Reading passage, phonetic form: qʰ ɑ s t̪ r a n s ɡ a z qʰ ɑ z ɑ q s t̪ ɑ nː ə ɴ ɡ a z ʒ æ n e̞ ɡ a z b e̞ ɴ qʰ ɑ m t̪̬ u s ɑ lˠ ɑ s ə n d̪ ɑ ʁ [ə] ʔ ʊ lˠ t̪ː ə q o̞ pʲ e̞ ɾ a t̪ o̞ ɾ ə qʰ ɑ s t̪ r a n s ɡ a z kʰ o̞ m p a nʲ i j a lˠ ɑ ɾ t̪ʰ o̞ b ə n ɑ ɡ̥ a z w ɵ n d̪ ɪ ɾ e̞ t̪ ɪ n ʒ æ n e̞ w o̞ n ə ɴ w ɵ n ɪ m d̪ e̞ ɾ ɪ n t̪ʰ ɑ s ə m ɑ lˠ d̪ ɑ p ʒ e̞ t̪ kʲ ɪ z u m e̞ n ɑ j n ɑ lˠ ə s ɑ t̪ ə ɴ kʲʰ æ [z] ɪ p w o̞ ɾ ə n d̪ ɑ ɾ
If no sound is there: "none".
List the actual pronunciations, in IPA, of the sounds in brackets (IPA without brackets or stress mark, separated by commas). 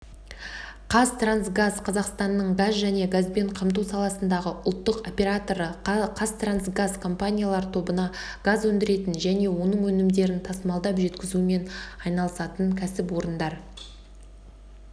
ə, s